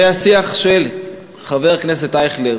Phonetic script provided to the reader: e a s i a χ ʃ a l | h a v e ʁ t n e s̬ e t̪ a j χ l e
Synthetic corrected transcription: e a s i a χ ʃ e l | χ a v e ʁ k n e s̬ e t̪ a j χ l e